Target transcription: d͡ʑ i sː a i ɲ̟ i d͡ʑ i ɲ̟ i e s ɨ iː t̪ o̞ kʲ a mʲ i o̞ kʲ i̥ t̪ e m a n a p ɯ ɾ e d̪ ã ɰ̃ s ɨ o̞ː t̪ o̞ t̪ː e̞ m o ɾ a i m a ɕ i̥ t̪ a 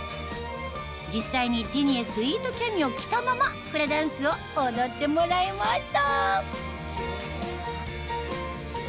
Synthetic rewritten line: d͡ʑ i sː a i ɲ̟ i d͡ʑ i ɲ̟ i e s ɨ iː t̪ o̞ kʲ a mʲ i o̞ kʲ i̥ t̪ a m a m a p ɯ ɾ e d̪ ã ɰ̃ s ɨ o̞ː d̪ o̞ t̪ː e̞ m o ɾ a i m a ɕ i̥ t̪ a

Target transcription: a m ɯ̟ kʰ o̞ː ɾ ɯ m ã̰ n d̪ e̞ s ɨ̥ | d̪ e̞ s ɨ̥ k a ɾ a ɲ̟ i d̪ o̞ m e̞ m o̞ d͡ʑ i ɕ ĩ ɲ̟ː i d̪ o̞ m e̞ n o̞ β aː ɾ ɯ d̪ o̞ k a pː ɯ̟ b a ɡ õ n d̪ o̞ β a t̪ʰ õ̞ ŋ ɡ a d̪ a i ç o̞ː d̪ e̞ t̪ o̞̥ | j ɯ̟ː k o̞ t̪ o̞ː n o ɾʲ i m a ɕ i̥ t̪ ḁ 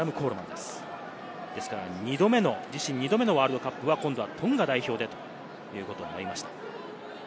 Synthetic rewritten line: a m ɯ̟ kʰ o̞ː ɾ ɯ m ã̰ n d̪ e̞ s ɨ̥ | d̪ e̞ s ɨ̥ k a ɾ a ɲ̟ i d̪ o̞ m e̞ n o̞ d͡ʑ i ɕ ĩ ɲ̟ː i d̪ o̞ m e̞ n o̞ β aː ɾ ɯ d̪ o̞ k a pː ɯ̟ β a k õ n d̪ o̞ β a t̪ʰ õ̞ ŋ ɡ a d̪ a i ç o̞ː d̪ e̞ t̪ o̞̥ | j ɯ̟ː k o̞ t̪ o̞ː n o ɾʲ i m a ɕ i̥ t̪ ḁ

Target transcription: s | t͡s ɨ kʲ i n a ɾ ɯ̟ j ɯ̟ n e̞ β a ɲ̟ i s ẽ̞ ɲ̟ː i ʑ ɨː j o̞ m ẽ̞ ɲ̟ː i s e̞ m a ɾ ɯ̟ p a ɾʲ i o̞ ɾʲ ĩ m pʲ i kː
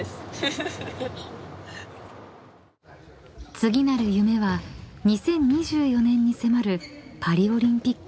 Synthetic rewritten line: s | t͡s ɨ ɡʲ i n a ɾ ɯ̟ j ɯ̟ m e̞ β a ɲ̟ i s ẽ̞ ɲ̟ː i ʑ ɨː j o̞ n ẽ̞ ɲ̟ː i s e̞ m a ɾ ɯ̟ p a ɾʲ i o̞ ɾʲ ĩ m pʲ i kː

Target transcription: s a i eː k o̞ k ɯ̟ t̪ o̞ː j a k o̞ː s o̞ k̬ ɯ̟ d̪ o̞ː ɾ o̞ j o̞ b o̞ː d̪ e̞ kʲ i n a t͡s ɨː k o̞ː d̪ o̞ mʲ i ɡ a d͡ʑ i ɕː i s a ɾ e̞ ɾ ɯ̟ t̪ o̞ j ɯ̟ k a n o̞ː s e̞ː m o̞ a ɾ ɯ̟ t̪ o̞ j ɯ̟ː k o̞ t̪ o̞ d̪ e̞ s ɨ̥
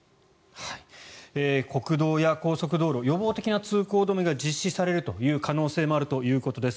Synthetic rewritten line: h a i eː k o̞ k ɯ̟ d̪ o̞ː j a k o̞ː s o̞ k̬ ɯ̟ d̪ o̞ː ɾ o̞ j o̞ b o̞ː t̪ e̞ kʲ i n a t͡s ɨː k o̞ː d̪ o̞ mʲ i ɡ a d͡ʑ i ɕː i s a ɾ e̞ ɾ ɯ̟ t̪ o̞ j ɯ̟ː k a n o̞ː s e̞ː m o̞ a ɾ ɯ̟ t̪ o̞ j ɯ̟ː k o̞ t̪ o̞ d̪ e̞ s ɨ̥

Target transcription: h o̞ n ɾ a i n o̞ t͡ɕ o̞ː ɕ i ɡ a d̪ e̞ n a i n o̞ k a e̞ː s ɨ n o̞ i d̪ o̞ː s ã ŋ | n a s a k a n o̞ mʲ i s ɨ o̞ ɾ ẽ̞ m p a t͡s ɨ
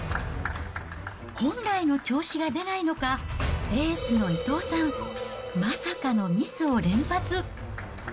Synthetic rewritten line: h õ̞ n ɾ a i n o̞ t͡ɕ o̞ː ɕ i ɡ a d̪ e̞ n a i n o̞ k a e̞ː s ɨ n o̞ i t̪ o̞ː s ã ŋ | m a s a k a n o̞ mʲ i s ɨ o̞ ɾ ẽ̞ m p a t͡s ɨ

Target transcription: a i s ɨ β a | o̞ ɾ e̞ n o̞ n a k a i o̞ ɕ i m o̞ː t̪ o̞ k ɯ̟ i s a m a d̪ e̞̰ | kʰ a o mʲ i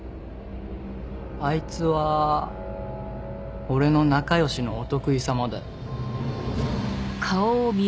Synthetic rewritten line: a i t͡s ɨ β a | o̞ ɾ e̞ n o̞ n a k a j o̞ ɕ i n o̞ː t̪ o̞ k ɯ̟ i s a m a d̪ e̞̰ | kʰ a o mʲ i

